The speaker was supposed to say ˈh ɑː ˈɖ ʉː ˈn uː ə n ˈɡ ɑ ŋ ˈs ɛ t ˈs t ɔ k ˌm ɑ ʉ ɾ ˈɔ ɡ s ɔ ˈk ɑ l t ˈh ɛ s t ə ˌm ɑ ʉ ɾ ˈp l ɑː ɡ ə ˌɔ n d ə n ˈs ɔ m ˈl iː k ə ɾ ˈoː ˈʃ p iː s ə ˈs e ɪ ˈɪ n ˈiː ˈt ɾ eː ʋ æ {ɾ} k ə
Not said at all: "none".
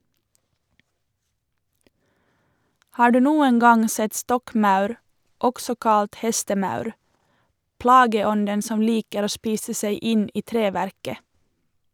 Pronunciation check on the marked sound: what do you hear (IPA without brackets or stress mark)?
ɾ